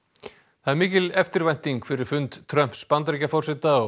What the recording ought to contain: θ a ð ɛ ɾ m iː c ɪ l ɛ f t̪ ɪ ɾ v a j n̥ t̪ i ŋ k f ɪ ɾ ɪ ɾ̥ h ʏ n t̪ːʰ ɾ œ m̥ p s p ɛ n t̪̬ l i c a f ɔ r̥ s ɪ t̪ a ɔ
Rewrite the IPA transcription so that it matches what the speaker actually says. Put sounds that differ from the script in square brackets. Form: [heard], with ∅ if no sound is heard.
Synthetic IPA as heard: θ a ð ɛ ɾ m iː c ɪ l ɛ f t̪ ɪ ɾ v a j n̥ t̪ i ŋ k f ɪ ɾ ɪ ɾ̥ [f] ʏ n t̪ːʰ ɾ œ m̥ p s p [a] n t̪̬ [ɾ] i c a f ɔ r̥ s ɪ t̪ a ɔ